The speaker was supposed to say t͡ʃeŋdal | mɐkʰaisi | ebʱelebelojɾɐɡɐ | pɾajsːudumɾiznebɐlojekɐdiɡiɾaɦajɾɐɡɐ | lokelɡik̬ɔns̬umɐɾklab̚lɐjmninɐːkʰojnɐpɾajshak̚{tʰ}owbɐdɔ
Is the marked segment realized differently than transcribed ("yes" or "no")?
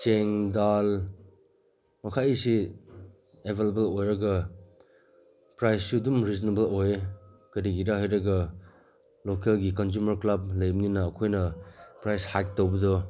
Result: yes